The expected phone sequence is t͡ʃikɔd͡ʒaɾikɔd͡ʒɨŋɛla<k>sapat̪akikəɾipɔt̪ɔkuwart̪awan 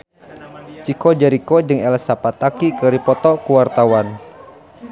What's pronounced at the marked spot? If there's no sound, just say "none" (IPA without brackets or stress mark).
none